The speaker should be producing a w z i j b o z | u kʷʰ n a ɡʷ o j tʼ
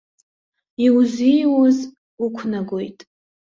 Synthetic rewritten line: i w z i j w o z | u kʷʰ n a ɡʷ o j tʼ